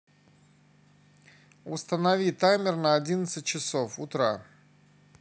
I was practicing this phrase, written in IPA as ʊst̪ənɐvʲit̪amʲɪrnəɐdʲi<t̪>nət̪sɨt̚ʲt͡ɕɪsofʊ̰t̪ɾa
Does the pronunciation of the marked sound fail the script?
yes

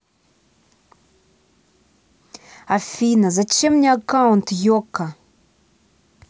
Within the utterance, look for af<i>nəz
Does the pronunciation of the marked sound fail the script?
no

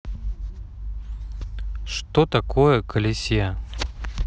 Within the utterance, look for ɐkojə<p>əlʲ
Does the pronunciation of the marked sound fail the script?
yes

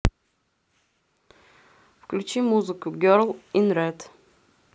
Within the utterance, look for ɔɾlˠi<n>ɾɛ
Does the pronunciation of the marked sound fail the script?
no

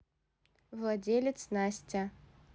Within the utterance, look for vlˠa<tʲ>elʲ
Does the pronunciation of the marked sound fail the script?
yes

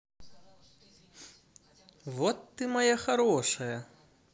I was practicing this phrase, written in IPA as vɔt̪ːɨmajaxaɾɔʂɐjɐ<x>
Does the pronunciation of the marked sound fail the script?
yes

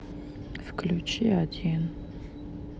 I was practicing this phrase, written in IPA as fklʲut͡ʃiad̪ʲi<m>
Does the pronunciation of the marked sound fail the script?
yes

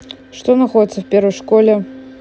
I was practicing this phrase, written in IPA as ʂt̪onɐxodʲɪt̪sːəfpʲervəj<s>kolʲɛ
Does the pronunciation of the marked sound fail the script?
yes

